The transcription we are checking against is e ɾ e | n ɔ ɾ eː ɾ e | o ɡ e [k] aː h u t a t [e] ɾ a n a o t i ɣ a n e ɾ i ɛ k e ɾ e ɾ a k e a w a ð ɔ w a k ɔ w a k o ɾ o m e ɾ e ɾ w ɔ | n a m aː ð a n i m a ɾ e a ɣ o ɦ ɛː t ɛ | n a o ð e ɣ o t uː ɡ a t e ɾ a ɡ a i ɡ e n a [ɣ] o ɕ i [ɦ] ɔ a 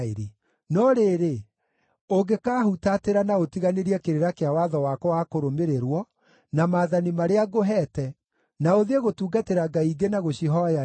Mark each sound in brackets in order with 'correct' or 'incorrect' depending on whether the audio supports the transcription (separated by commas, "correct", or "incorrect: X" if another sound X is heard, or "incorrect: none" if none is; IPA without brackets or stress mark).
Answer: correct, correct, correct, correct